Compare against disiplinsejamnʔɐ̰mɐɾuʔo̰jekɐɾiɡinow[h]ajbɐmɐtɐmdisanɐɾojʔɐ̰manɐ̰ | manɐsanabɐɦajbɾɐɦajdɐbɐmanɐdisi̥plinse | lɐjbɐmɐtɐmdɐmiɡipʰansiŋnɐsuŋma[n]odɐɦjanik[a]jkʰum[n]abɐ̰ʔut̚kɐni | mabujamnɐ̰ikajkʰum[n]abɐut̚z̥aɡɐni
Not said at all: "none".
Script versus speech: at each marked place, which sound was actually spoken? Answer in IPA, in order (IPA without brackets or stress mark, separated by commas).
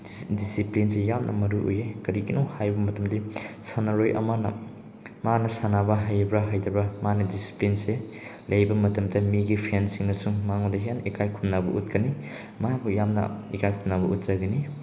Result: h, ŋ, a, n, n